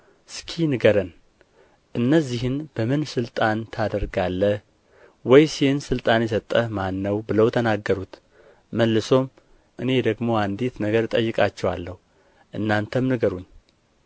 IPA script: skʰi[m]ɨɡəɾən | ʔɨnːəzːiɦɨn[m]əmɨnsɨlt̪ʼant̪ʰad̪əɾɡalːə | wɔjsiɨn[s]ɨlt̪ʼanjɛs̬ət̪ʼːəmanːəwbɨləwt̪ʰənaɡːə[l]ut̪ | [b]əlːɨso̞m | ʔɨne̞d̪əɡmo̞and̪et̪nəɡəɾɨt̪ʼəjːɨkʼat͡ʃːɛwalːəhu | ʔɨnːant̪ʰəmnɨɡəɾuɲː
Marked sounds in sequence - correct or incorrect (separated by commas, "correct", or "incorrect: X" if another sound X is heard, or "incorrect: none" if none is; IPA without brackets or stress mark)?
incorrect: n, incorrect: b, correct, incorrect: ɾ, incorrect: m